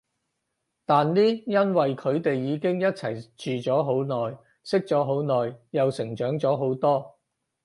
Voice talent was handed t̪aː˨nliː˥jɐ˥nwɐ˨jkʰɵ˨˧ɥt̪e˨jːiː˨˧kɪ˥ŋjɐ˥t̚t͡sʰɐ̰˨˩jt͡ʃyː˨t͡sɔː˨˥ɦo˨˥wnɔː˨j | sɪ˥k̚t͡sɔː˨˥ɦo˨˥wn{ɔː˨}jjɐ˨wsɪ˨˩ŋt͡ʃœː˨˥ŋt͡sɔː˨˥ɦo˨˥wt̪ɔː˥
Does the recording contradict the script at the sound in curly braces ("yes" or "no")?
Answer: no